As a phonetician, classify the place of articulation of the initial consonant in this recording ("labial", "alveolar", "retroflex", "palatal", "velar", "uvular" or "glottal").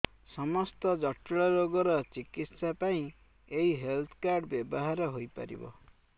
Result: alveolar